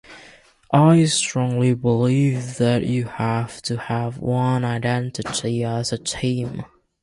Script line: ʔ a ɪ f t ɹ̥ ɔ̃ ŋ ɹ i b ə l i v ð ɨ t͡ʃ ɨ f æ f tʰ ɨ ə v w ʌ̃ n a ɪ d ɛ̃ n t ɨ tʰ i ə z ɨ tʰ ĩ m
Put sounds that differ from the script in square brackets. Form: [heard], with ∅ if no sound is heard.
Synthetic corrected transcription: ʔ a ɪ [s] t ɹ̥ ɔ̃ ŋ [l] i b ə l i v ð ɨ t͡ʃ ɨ [h] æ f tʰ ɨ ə v w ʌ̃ n a ɪ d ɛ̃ n t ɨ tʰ i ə z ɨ tʰ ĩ m